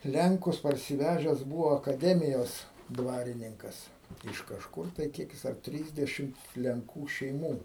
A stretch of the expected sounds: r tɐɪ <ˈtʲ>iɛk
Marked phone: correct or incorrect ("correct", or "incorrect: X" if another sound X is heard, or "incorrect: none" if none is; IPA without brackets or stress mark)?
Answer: incorrect: kʲ